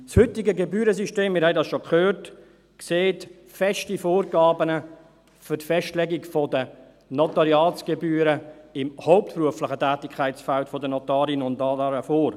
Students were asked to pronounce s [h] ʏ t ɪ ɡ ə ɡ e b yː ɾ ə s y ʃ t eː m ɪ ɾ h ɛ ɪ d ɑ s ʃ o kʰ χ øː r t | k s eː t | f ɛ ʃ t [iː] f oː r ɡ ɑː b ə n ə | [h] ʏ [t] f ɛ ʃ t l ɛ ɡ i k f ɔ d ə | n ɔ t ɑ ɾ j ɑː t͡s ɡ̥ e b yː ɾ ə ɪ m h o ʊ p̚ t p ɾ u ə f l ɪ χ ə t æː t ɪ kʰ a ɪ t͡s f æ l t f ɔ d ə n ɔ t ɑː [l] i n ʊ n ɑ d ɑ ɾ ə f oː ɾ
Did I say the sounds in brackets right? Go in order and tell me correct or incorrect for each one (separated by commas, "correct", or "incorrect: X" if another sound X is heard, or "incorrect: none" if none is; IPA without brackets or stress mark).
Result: correct, incorrect: i, incorrect: f, correct, incorrect: ɾ